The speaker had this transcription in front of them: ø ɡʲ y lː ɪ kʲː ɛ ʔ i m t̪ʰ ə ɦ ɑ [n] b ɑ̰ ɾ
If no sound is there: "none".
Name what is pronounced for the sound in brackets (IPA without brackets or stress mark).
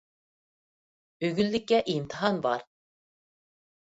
n